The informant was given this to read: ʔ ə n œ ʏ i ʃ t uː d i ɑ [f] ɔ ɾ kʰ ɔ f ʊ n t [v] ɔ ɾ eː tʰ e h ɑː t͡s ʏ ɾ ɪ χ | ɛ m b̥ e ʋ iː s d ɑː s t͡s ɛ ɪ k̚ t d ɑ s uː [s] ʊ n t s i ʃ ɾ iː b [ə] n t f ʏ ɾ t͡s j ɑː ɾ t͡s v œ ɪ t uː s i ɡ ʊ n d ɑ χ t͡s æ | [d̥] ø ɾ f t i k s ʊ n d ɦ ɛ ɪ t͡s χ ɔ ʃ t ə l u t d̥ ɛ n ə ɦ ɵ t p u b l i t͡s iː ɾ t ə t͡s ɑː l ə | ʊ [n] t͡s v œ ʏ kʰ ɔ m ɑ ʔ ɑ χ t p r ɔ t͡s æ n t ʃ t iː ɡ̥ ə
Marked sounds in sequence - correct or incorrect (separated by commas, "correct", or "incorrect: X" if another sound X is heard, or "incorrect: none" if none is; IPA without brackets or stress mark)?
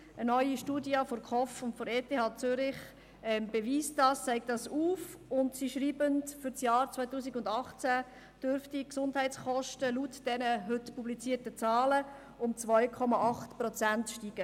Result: correct, incorrect: f, incorrect: f, correct, correct, incorrect: m